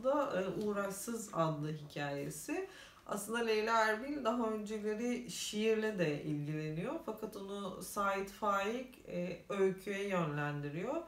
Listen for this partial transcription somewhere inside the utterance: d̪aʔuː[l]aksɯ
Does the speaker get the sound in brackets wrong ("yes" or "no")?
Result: yes